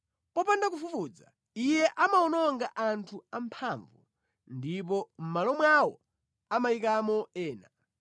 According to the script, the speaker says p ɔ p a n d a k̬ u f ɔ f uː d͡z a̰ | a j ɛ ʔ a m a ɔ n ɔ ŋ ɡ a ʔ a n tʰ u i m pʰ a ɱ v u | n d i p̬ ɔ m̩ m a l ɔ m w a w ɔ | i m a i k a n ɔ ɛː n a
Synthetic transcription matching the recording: p ɔ p a n d a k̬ u f u f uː d͡z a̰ | i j ɛ ʔ a m a ɔ n ɔ ŋ ɡ a ʔ a n tʰ u a m pʰ a ɱ v u | n d i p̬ ɔ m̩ m a l ɔ m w a w ɔ | a m a i k a m ɔ ɛː n a